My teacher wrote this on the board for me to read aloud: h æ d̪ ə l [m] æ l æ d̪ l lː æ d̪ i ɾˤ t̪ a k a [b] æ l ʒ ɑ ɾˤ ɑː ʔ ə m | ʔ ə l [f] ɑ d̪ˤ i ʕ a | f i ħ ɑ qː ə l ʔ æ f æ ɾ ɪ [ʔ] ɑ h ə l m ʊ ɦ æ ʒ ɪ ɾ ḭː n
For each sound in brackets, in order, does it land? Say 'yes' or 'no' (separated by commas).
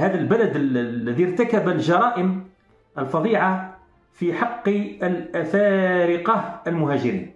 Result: no, yes, yes, no